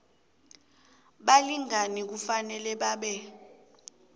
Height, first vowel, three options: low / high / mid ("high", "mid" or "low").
low